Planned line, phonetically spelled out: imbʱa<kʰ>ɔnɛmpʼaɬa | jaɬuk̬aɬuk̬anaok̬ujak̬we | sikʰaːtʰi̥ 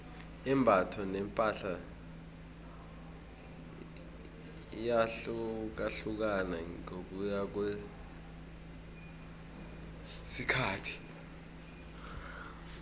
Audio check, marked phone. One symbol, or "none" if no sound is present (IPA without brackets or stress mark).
tʰ